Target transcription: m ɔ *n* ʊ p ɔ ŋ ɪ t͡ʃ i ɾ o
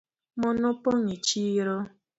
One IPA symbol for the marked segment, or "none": n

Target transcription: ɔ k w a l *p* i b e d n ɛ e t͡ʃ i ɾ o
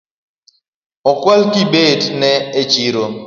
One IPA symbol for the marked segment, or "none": k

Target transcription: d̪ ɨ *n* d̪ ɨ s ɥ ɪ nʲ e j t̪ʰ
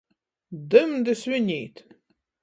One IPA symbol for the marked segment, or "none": m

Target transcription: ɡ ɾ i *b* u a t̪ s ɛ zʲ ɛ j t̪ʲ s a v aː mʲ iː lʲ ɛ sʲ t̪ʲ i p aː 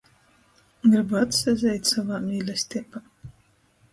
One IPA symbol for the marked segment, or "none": b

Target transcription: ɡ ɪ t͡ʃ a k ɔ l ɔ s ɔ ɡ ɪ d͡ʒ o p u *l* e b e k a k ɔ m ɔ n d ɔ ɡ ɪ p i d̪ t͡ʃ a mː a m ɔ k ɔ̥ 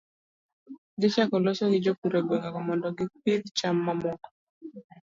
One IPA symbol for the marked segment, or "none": ɾ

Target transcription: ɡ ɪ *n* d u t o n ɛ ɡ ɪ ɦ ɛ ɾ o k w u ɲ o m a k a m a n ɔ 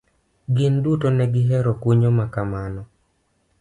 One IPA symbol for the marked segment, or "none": n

